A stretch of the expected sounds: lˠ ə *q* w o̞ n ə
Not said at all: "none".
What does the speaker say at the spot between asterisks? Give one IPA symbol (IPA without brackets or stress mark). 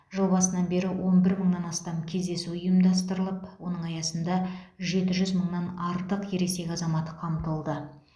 p